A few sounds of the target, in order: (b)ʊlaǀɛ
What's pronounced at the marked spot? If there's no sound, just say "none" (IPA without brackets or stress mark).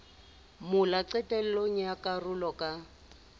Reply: m